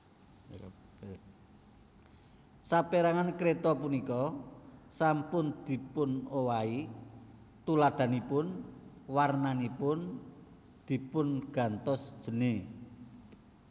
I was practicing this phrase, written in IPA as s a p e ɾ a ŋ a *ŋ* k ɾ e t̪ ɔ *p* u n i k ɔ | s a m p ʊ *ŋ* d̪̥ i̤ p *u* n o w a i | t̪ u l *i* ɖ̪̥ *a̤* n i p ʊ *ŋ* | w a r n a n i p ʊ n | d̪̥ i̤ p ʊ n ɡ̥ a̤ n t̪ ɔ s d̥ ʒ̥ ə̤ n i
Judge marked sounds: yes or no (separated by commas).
no, yes, no, no, no, yes, no